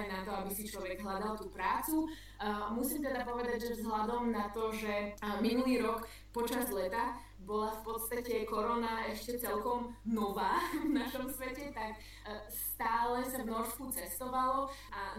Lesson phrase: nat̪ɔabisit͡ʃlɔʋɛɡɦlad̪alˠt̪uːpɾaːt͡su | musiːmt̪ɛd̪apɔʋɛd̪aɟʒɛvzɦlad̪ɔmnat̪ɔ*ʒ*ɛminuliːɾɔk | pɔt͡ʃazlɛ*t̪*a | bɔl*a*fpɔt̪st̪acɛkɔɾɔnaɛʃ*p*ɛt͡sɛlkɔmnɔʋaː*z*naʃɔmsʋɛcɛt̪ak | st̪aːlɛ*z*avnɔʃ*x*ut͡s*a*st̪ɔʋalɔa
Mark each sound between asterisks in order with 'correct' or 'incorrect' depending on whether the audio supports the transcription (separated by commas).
correct, correct, correct, incorrect, incorrect, incorrect, incorrect, incorrect